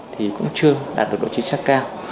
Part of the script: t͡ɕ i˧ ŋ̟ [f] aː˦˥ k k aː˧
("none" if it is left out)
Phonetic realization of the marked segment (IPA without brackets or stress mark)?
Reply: s